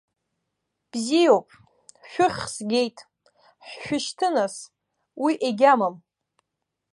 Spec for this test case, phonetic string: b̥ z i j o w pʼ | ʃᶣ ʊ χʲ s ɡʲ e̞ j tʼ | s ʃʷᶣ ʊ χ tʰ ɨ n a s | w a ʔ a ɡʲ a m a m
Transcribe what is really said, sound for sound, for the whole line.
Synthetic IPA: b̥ z i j o w pʼ | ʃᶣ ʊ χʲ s ɡʲ e̞ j tʼ | ħ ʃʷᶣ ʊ ʃ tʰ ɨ n a s | w i ʔ e ɡʲ a m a m